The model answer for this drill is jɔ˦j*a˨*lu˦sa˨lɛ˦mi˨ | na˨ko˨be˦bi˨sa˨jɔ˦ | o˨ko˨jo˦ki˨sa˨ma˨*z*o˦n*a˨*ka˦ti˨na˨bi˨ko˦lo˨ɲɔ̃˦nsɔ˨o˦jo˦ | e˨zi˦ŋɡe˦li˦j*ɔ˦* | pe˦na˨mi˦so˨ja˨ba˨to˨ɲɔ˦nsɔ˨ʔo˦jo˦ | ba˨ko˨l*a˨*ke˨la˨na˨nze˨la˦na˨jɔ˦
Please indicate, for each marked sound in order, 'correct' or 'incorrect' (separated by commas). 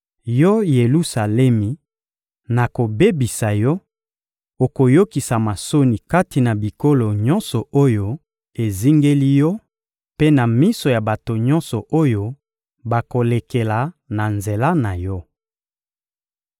incorrect, incorrect, incorrect, correct, incorrect